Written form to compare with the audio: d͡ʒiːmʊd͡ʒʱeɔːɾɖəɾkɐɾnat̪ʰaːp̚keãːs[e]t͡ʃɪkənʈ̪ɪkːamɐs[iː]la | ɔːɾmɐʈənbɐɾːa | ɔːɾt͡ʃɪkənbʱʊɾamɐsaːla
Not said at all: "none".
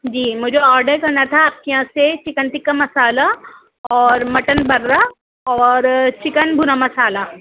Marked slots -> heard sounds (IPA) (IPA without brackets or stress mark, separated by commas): e, aː